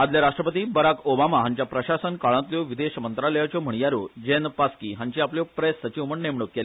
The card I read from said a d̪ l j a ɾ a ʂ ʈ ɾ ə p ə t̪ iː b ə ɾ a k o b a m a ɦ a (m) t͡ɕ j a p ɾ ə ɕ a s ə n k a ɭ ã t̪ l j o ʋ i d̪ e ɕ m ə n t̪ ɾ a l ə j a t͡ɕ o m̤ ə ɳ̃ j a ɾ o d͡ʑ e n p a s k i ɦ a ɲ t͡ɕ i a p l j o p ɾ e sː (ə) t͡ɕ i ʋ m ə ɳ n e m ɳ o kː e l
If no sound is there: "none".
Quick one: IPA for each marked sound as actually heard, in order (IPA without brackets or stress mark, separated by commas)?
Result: ɲ, ə